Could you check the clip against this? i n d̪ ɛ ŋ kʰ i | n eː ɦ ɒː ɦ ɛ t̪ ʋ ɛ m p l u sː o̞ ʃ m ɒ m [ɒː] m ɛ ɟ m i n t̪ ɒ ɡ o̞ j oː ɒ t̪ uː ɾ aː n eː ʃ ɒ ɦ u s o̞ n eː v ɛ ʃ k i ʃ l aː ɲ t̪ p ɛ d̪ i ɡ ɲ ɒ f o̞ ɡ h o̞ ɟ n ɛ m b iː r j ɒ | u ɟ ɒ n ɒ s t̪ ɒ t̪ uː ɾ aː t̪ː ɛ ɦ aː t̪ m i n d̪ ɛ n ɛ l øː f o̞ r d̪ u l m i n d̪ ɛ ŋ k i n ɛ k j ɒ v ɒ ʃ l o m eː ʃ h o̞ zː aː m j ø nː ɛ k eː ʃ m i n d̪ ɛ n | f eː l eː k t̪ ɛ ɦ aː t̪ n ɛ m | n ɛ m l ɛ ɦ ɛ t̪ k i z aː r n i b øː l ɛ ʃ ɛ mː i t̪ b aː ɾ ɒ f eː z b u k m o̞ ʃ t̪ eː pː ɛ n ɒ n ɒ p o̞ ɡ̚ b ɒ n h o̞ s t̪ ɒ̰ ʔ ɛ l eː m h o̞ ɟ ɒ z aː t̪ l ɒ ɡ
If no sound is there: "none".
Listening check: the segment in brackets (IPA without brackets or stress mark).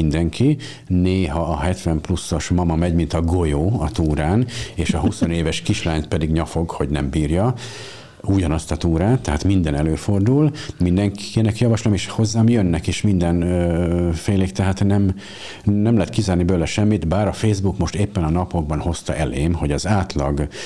ɒ